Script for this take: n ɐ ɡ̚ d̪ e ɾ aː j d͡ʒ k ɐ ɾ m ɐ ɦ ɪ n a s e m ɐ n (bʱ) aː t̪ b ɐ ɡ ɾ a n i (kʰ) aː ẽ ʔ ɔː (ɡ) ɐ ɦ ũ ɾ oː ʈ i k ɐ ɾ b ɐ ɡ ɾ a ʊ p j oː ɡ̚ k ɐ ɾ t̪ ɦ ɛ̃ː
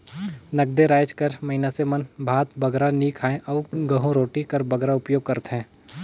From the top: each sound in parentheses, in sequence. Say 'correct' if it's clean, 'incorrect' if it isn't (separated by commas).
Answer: correct, correct, correct